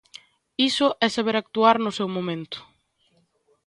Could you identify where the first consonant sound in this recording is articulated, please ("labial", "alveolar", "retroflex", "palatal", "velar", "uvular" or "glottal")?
alveolar